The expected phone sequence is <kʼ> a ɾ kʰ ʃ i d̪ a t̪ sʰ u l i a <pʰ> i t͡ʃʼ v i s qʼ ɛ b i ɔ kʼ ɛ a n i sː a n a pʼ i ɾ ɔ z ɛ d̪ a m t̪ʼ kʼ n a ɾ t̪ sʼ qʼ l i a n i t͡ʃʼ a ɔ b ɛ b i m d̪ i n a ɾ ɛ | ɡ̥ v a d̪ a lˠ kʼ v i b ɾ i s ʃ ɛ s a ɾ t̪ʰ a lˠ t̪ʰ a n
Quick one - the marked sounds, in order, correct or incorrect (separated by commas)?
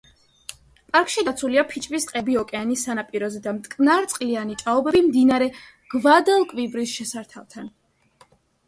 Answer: incorrect, correct